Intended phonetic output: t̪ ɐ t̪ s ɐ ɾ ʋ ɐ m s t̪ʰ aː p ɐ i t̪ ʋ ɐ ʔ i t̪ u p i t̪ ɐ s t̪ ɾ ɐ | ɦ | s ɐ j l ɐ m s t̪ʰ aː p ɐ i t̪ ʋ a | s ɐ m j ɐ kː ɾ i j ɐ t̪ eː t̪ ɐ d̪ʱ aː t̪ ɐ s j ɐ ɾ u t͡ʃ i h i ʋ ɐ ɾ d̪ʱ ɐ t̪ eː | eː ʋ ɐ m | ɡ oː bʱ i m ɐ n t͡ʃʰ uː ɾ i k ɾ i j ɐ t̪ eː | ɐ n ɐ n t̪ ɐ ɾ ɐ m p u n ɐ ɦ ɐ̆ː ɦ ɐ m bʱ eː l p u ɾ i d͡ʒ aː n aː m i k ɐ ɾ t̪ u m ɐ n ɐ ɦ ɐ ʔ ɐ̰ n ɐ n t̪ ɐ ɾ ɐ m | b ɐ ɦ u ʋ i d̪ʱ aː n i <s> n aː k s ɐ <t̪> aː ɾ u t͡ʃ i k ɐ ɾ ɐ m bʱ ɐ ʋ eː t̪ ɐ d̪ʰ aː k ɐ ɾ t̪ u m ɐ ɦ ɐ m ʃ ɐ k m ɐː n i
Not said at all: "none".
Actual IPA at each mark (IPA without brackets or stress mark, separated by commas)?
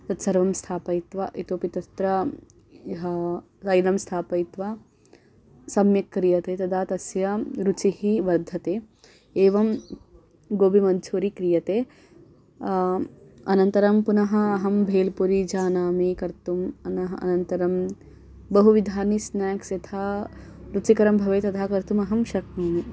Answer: s, t̪ʰ